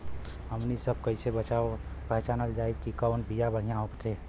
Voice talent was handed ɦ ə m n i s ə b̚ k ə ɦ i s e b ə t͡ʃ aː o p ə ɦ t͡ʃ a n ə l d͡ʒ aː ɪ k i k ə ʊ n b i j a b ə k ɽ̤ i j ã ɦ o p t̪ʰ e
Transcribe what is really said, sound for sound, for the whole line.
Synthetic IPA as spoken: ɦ ə m n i s ə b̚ k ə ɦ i s e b ə t͡ʃ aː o p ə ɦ t͡ʃ a n ə l d͡ʒ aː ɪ k i k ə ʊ n b i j a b ə ɽ̤ i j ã ɦ o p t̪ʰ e